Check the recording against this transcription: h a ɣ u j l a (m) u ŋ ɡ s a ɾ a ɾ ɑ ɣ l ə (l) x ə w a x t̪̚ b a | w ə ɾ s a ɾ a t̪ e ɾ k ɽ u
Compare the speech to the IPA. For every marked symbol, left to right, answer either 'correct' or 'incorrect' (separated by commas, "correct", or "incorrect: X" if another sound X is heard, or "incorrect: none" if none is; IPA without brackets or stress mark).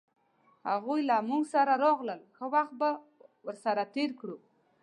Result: correct, correct